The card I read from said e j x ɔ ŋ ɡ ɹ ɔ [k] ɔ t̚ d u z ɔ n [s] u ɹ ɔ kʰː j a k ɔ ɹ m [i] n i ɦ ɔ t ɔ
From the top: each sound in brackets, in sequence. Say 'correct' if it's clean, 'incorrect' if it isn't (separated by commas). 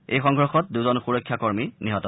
incorrect, incorrect, correct